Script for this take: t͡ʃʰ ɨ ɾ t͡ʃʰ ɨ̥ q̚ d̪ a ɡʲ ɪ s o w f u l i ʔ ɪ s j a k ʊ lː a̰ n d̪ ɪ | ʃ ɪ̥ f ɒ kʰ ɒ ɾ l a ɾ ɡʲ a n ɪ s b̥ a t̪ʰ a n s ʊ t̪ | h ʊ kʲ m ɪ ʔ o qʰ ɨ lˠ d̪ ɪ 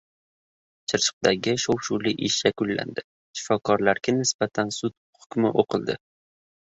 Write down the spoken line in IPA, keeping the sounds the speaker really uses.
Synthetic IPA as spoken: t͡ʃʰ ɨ ɾ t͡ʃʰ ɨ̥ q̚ d̪ a ɡʲ ɪ ʃ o w ʃ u l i ʔ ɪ ʃ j a k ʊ lː a̰ n d̪ ɪ | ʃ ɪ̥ f ɒ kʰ ɒ ɾ l a ɾ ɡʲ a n ɪ s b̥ a t̪ʰ a n s ʊ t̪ | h ʊ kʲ m ɪ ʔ o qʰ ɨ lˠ d̪ ɪ